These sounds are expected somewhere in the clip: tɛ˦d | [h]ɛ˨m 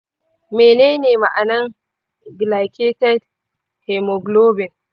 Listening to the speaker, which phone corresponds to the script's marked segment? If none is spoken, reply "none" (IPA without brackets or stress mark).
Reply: h